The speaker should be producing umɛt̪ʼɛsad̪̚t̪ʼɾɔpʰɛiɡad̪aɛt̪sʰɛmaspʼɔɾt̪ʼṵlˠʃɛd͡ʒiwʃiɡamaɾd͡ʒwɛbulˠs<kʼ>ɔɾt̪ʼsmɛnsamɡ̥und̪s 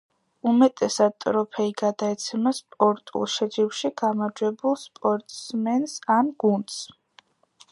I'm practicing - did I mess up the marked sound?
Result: yes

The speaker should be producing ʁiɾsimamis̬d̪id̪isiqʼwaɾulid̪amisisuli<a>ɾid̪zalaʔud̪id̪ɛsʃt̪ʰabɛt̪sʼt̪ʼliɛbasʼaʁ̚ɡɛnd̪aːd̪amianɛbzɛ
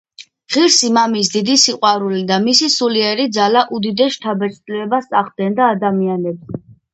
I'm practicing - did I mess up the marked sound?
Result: yes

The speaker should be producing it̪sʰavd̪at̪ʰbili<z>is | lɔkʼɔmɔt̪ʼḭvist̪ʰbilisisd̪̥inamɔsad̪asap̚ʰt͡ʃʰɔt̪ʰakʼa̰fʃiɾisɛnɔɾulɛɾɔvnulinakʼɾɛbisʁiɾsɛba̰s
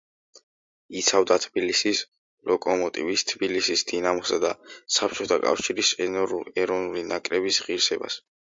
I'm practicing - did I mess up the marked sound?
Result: yes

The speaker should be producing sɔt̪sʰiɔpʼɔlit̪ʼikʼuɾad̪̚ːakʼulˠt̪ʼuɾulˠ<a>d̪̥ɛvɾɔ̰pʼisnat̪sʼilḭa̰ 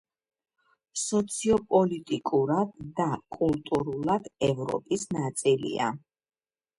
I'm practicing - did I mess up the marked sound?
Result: no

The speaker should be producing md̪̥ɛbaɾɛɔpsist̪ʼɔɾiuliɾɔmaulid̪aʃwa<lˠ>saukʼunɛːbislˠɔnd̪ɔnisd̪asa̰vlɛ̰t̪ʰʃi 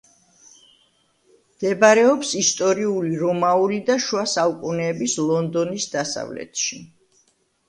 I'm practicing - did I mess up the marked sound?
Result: yes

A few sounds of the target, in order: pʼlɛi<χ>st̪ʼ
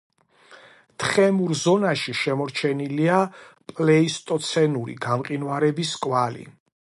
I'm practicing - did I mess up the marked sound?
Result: yes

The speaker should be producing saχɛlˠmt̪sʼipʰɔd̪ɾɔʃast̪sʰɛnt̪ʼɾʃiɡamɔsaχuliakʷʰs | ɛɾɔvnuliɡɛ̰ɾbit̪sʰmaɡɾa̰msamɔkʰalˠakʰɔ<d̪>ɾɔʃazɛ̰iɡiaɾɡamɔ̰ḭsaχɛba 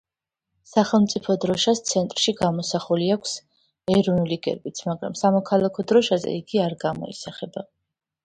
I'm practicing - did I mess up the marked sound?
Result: no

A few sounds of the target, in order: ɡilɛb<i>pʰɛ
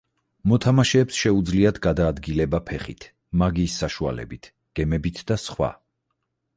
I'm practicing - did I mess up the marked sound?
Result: yes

